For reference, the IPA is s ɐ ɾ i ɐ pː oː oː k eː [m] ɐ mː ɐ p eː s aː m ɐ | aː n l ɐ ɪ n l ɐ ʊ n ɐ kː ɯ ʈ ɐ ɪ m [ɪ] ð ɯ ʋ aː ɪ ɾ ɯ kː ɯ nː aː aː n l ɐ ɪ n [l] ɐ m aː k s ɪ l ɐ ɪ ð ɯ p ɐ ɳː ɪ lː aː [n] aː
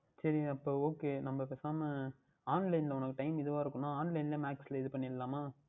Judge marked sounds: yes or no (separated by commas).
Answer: no, yes, yes, no